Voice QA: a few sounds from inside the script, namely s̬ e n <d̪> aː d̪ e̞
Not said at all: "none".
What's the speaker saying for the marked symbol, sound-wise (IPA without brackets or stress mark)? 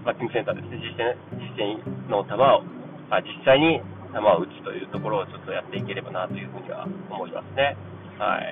t̪